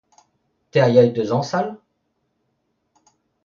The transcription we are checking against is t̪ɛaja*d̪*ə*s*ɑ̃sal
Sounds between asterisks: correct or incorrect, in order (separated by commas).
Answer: correct, incorrect